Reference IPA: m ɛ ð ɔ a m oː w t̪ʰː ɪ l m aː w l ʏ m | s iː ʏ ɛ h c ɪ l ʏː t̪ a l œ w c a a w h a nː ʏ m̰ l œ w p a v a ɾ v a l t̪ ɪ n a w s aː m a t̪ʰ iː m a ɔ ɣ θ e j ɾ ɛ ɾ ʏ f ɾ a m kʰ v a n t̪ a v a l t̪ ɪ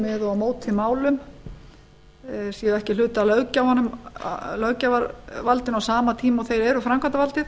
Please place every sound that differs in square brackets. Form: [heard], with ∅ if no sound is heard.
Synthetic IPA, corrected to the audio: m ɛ ð ɔ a m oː w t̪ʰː ɪ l m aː w l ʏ m | s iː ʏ ɛ h c ɪ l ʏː t̪ a l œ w c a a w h a nː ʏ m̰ l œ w [c] a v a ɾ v a l t̪ ɪ n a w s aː m a t̪ʰ iː m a ɔ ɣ θ e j ɾ ɛ ɾ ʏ f ɾ a m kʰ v a n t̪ a v a l t̪ ɪ